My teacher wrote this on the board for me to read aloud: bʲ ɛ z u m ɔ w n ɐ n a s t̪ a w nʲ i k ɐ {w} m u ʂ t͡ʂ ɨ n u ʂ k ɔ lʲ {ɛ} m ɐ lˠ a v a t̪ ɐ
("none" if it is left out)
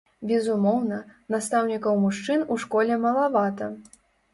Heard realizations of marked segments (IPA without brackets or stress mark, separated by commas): w, ɛ